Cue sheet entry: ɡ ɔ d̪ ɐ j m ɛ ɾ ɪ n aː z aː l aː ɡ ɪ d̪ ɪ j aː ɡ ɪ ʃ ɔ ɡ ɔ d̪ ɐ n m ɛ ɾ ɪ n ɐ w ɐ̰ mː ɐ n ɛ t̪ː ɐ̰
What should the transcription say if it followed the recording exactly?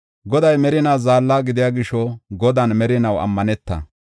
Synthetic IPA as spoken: ɡ ɔ d̪ ɐ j m ɛ ɾ ɪ n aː z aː lː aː ɡ ɪ d̪ ɪ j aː ɡ ɪ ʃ ɔ ɡ ɔ d̪ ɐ n m ɛ ɾ ɪ n ɐ w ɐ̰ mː ɐ n ɛ t̪ː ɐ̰